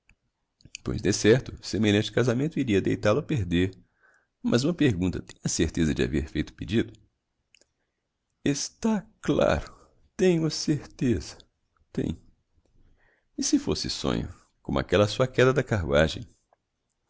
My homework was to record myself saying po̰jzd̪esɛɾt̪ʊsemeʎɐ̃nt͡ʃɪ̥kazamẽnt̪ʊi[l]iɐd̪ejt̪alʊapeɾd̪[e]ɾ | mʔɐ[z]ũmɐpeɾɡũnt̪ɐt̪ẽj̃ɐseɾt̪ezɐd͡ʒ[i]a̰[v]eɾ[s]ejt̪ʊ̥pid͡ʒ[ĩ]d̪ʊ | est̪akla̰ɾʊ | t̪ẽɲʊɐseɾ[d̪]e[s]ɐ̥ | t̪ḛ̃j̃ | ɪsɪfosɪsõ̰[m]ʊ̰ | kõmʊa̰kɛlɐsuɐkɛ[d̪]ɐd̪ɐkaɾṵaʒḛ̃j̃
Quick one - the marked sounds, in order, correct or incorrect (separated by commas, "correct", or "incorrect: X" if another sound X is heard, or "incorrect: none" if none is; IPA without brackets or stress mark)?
incorrect: ɾ, correct, correct, incorrect: ɪ, correct, incorrect: f, incorrect: i, incorrect: t̪, incorrect: z, incorrect: ɲ, correct